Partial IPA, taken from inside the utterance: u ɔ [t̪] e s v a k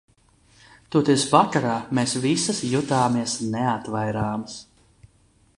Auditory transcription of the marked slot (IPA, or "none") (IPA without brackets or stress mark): t̪